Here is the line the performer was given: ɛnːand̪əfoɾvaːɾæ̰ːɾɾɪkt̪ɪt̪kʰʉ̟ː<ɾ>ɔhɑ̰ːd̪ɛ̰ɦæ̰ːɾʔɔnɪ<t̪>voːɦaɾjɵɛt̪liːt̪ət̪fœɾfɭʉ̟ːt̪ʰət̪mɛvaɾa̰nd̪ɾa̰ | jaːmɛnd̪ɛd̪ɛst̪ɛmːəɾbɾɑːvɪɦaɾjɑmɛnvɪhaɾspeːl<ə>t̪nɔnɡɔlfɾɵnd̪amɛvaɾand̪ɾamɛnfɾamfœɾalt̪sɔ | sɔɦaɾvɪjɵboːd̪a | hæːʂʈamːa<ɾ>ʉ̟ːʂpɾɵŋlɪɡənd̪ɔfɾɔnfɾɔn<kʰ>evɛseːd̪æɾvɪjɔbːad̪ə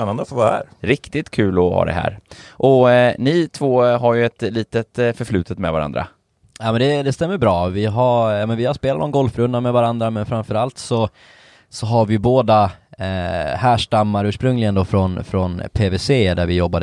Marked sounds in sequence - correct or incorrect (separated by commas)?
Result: incorrect, incorrect, incorrect, correct, incorrect